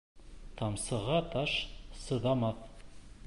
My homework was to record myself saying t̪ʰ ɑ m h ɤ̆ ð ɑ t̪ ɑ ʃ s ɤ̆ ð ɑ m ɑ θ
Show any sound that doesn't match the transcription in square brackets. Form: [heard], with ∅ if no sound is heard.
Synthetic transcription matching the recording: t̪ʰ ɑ m [s] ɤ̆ [ʁ] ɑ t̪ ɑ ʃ s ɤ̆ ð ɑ m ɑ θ